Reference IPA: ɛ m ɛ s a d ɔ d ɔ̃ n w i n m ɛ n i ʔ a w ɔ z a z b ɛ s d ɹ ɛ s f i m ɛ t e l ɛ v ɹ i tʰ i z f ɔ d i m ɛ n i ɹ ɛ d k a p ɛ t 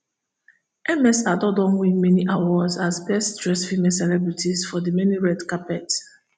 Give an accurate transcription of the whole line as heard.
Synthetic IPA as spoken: ɛ m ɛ s a d ɔ d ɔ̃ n w i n m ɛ n i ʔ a w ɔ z a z b ɛ s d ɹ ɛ s f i m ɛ s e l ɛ b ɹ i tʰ i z f ɔ d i m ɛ n i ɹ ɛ d k a p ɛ t